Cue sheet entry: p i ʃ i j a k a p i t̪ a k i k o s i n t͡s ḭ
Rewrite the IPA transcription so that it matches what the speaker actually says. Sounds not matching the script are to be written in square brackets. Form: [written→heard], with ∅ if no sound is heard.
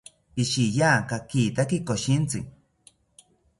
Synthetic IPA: p i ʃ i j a k a [p→k] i t̪ a k i k o [s→ʃ] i n t͡s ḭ